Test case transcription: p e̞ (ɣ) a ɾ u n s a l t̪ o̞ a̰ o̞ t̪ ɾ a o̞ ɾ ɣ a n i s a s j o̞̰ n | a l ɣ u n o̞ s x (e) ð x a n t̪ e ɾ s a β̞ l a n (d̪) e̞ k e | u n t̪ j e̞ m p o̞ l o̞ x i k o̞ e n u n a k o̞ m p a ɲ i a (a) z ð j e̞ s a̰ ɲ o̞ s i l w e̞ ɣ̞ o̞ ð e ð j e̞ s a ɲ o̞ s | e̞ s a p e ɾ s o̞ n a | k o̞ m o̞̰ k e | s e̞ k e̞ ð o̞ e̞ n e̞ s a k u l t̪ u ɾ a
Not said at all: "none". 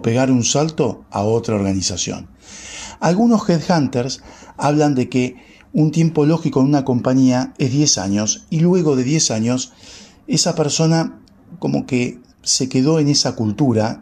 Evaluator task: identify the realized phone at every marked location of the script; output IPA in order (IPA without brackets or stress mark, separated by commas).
ɣ, e, d̪, e